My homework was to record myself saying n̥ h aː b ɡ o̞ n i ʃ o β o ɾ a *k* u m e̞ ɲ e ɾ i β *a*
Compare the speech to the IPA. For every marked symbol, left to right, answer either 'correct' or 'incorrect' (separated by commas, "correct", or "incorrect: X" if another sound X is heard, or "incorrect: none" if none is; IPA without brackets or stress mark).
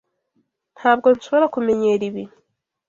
correct, incorrect: i